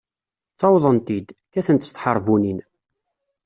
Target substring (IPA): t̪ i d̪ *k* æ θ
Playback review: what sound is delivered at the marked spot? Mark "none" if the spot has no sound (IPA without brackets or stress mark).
k